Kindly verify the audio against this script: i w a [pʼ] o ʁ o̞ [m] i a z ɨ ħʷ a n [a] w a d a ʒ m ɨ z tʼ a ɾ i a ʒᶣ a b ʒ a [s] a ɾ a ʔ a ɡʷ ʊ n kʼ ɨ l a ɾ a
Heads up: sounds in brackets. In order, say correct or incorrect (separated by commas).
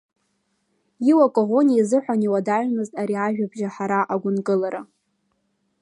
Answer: incorrect, incorrect, incorrect, incorrect